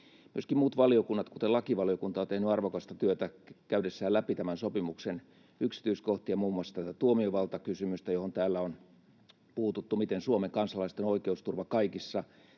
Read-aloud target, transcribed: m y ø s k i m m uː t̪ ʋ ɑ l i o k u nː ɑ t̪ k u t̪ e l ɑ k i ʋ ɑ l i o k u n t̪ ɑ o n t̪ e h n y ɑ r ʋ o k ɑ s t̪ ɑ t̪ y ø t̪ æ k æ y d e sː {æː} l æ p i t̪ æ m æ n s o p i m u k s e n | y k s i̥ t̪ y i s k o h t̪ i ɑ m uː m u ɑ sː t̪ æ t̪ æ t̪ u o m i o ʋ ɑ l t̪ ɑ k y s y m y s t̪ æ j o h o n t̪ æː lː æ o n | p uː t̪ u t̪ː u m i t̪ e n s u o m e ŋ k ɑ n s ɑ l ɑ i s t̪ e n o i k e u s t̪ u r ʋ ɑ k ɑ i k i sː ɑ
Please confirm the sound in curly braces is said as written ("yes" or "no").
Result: yes